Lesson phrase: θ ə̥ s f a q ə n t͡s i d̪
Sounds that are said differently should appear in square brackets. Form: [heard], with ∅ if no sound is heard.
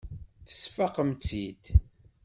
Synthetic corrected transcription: θ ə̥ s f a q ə [m] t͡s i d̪

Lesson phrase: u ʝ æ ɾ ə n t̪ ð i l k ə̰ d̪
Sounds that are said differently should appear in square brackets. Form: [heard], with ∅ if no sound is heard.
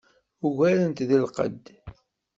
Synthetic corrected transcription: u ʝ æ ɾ ə n t̪ ð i l [q] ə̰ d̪

